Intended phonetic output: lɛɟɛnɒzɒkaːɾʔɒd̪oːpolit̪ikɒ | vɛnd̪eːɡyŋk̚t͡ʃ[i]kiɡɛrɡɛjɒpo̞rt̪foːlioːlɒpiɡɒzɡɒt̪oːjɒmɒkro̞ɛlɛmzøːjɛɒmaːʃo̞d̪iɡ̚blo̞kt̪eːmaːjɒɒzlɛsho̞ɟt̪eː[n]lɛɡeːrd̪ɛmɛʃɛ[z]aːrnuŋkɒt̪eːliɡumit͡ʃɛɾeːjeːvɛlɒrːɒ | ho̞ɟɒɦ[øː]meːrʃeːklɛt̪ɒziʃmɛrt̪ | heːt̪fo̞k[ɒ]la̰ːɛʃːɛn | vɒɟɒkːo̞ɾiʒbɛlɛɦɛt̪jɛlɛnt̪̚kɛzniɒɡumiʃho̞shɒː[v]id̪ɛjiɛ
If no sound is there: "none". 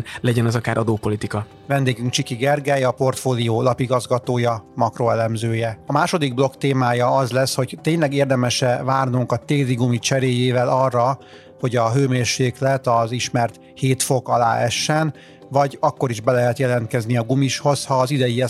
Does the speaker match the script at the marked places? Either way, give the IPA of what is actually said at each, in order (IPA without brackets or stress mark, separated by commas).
i, ɲ, v, øː, ɒ, z